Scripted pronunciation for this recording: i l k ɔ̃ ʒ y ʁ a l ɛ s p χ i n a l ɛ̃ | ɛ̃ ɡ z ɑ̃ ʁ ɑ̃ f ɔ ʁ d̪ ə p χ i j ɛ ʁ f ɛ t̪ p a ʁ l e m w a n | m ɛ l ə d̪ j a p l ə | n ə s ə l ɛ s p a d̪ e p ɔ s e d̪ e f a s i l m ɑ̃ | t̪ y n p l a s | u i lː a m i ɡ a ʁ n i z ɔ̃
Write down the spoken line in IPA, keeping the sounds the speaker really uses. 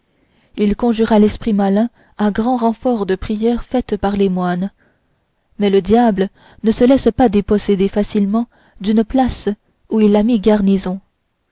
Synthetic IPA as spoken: i l k ɔ̃ ʒ y ʁ a l ɛ s p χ i m a l ɛ̃ | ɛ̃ ɡ ʁ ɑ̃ ʁ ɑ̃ f ɔ ʁ d̪ ə p χ i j ɛ ʁ f ɛ t̪ p a ʁ l e m w a n | m ɛ l ə d̪ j a b l ə | n ə s ə l ɛ s p a d̪ e p ɔ s e d̪ e f a s i l m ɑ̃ | d̪ y n p l a s | u i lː a m i ɡ a ʁ n i z ɔ̃